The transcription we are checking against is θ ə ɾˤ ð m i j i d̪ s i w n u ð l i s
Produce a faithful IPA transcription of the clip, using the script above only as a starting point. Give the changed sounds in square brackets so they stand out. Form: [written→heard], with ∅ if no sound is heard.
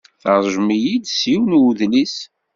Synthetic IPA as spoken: θ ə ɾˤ [ð→ʒ] m i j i d̪ s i w n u ð l i s